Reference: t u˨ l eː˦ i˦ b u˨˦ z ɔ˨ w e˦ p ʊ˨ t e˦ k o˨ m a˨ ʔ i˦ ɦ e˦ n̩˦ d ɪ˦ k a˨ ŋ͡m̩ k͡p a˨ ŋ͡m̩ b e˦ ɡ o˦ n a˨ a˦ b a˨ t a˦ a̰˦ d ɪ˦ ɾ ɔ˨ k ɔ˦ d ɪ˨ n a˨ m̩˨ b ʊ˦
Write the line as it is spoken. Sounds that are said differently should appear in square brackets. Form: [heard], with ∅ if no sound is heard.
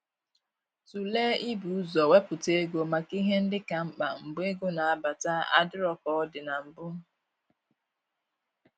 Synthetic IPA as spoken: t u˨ l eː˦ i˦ b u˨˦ z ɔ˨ w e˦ p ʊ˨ t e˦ [ɡ] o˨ m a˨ [k] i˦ ɦ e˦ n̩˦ d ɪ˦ k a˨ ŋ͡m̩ k͡p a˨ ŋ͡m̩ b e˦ ɡ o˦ n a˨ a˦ b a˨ t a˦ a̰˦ d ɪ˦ ɾ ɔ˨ k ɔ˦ d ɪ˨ n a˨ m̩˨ b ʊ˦